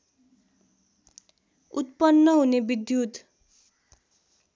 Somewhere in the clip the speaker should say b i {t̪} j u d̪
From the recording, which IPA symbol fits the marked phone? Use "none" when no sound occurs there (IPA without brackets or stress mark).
d̪